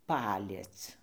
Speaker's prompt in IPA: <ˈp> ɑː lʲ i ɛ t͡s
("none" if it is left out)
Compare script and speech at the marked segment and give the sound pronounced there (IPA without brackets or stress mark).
p